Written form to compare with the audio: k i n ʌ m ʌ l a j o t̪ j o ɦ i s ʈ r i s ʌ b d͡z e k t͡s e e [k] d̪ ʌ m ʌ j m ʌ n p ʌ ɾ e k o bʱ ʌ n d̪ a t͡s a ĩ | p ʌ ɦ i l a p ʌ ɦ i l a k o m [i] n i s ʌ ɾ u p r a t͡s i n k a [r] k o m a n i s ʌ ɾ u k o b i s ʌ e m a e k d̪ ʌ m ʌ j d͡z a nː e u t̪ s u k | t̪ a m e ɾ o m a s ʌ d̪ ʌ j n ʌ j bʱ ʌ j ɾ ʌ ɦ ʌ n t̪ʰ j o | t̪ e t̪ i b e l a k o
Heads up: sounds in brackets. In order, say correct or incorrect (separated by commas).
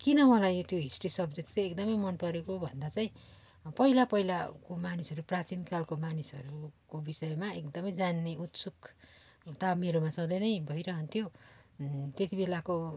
correct, incorrect, incorrect